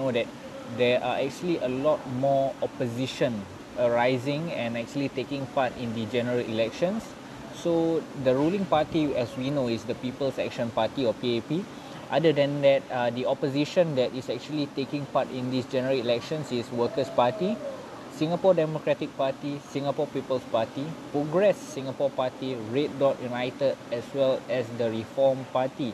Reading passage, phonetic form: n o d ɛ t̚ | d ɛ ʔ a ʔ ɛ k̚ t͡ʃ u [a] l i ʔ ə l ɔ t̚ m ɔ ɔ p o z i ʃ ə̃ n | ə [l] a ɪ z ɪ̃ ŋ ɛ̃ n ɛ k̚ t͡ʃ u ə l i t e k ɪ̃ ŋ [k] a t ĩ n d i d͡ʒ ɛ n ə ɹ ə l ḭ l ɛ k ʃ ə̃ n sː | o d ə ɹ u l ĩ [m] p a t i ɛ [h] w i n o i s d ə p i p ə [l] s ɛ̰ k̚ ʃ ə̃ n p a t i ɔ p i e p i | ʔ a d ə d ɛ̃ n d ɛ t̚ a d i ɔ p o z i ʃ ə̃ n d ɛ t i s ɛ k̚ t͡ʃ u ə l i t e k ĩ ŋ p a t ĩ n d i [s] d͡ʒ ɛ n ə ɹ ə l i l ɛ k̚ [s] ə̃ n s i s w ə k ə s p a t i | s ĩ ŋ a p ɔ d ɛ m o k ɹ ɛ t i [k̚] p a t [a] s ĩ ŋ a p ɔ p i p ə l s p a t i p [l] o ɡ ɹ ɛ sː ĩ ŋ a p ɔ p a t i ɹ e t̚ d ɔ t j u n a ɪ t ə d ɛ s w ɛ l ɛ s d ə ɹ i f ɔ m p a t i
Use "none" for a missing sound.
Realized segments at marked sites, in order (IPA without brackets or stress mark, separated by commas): ə, ɹ, p, ŋ, s, l, s, ʃ, k̚, i, ɹ